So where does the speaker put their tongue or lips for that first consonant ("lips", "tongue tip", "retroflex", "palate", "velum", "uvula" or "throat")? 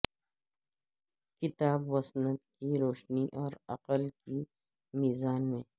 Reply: velum